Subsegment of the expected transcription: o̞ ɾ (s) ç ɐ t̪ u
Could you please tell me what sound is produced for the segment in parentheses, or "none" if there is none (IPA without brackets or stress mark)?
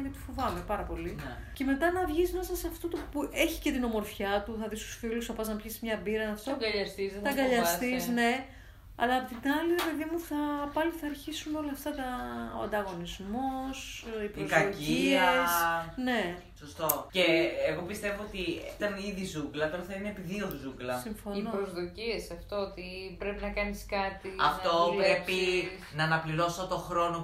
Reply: f